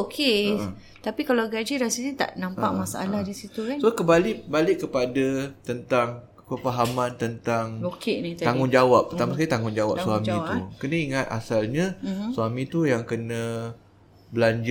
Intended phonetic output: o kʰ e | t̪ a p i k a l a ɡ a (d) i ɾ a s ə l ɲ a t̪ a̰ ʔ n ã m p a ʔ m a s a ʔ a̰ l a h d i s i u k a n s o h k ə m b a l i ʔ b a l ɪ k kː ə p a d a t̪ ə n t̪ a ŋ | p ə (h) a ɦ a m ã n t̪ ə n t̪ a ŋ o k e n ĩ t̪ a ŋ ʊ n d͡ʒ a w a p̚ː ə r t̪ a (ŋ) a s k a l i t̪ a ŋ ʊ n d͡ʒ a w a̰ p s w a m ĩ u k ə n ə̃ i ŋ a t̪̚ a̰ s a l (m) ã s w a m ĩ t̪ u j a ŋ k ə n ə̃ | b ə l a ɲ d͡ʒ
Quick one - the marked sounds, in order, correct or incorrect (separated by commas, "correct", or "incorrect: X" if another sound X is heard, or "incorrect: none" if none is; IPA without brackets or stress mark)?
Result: incorrect: d͡ʒ, incorrect: f, incorrect: m, incorrect: ɲ